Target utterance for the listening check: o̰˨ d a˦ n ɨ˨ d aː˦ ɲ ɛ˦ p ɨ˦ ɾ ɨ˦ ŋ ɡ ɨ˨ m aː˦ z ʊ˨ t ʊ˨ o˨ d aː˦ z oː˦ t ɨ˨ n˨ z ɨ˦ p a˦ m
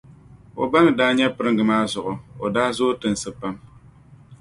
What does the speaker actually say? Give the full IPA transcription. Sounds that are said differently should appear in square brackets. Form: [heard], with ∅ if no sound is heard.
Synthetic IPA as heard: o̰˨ [b] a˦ n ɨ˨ d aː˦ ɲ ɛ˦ p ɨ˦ ɾ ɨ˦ ŋ ɡ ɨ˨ m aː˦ z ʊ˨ [ʔ] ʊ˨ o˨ d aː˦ z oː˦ t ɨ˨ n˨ [s] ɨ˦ p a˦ m